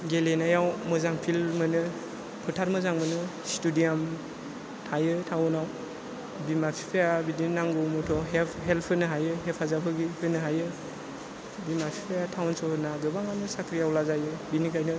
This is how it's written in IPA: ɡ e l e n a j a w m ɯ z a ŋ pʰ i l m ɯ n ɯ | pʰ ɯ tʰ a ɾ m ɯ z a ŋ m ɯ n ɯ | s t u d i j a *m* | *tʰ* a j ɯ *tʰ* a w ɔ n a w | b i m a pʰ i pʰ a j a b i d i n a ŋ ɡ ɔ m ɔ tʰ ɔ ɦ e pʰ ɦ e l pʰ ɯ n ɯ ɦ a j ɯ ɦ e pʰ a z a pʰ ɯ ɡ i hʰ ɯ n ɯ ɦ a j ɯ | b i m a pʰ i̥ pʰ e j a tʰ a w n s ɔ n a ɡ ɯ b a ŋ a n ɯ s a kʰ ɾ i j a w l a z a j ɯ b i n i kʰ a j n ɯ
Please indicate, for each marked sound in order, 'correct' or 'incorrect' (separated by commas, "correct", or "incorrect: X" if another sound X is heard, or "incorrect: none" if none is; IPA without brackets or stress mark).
correct, correct, correct